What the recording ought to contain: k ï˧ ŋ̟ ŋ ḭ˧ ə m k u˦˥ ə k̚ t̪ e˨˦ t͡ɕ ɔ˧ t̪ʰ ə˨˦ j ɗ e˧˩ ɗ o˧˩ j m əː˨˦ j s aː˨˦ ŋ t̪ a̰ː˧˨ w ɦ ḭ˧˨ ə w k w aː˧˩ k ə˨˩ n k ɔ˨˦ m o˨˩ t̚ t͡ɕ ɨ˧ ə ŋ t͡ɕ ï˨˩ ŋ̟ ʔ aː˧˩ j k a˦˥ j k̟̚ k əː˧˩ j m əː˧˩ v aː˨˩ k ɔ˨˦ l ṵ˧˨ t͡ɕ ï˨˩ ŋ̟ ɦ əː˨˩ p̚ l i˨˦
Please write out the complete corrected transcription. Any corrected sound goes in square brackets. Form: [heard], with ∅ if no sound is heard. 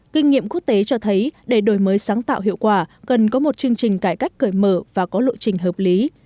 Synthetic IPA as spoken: k ï˧ ŋ̟ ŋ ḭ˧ ə m k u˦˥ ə k̚ t̪ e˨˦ t͡ɕ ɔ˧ t̪ʰ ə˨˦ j ɗ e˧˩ ɗ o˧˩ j m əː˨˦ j s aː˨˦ ŋ t̪ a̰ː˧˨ w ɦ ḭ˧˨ ə w k w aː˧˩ k ə˨˩ n k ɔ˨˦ m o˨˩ t̚ t͡ɕ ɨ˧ ə ŋ t͡ɕ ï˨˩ ŋ̟ [k] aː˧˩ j k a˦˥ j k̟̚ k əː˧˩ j m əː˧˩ v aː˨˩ k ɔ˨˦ l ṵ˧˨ t͡ɕ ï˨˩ ŋ̟ ɦ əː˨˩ p̚ l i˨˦